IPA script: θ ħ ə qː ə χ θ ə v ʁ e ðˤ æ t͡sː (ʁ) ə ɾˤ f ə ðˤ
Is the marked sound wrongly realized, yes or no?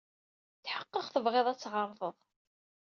no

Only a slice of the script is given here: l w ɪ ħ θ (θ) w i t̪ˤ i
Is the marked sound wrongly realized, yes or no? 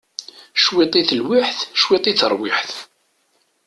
yes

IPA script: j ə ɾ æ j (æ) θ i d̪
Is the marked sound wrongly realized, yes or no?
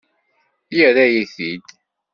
yes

